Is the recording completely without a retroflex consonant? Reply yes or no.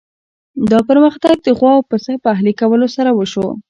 yes